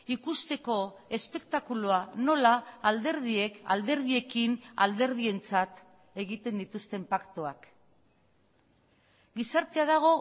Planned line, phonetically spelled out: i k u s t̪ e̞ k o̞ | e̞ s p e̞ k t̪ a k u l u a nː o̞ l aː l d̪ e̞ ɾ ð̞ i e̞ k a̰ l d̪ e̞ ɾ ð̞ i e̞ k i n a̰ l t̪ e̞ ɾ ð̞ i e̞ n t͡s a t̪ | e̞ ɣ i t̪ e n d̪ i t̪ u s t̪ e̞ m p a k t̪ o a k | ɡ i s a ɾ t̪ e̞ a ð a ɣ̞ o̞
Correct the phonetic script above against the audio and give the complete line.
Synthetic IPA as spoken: i k u s t̪ e̞ k o̞ | e̞ s p e̞ k t̪ a k u l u a n o̞ l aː l d̪ e̞ ɾ ð̞ i e̞ k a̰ l d̪ e̞ ɾ ð̞ i e̞ k i n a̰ l d̪ e̞ ɾ ð̞ i e̞ n t͡s a t̪ | e̞ ɣ i t̪ e n d̪ i t̪ u s t̪ e̞ m p a k t̪ o a k | ɡ i s a ɾ t̪ e̞ a ð a ɣ̞ o̞